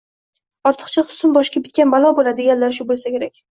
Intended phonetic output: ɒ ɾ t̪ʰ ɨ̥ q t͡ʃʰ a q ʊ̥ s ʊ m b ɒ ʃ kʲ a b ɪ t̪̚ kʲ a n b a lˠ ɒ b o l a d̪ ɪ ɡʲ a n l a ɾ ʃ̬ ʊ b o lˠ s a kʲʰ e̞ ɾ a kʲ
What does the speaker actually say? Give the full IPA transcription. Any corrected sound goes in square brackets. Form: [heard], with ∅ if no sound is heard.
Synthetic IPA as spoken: ɒ ɾ t̪ʰ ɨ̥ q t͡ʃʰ a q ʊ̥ s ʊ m b ɒ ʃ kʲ a b ɪ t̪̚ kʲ a n b a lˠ ɒ b o l a d̪ ɪ ɡʲ a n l a ɾ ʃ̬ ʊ b o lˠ s a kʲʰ e̞ ɾ a kʲ